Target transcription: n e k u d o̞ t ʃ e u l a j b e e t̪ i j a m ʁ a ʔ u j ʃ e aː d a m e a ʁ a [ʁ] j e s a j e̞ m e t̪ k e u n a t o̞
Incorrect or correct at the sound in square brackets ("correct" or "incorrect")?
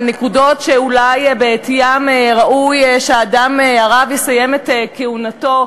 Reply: incorrect